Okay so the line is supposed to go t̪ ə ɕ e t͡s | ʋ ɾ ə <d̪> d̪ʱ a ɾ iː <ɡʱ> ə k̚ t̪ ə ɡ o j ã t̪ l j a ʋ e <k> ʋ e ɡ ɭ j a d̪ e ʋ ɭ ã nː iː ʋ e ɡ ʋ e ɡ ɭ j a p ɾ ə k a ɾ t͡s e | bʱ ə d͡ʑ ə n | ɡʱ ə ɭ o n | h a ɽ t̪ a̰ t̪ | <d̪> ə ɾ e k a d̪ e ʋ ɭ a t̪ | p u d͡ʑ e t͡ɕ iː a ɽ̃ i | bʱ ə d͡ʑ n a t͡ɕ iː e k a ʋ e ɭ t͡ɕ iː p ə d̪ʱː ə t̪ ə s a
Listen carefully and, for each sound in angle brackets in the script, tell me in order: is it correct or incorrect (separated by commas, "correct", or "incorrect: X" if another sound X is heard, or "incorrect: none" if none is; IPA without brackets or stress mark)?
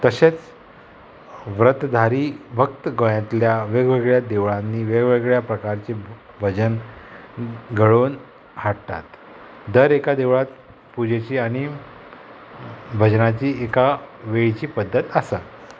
incorrect: t̪, incorrect: bʱ, incorrect: ɡ, correct